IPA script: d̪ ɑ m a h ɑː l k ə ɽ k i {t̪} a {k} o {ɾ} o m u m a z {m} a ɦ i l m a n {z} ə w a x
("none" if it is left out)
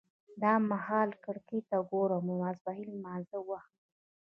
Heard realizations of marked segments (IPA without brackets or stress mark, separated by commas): t̪, ɡ, ɾ, b, z